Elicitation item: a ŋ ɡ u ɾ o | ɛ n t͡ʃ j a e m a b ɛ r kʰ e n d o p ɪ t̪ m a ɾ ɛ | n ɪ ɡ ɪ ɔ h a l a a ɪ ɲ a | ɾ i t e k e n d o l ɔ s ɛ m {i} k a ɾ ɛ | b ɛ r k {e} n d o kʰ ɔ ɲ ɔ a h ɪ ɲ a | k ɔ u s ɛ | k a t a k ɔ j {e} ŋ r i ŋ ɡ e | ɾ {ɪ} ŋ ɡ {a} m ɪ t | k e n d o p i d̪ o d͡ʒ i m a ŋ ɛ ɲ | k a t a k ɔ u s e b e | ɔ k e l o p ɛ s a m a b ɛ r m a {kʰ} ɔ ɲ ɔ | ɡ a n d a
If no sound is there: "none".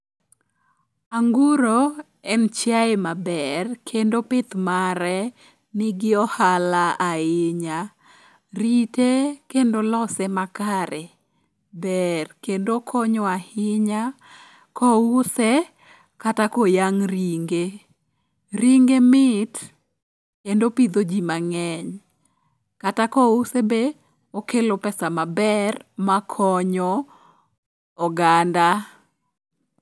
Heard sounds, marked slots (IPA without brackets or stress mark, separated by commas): a, e, a, i, e, kʰ